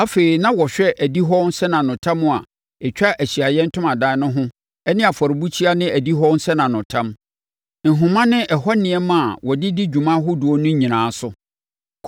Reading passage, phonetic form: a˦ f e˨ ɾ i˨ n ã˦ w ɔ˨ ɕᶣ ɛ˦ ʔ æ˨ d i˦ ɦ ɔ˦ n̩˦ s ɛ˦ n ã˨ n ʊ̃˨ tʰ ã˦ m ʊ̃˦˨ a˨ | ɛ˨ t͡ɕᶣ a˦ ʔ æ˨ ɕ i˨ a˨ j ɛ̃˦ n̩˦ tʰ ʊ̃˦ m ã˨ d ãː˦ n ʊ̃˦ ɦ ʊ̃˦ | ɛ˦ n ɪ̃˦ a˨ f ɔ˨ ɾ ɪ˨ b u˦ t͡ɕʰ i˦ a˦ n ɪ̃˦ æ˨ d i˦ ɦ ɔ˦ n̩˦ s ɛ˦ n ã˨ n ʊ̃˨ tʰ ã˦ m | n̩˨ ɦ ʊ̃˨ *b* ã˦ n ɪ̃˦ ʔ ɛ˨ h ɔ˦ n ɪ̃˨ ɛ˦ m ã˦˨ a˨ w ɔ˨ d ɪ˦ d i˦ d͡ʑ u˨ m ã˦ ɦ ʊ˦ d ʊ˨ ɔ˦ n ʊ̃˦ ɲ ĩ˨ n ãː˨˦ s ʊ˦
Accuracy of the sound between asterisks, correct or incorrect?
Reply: incorrect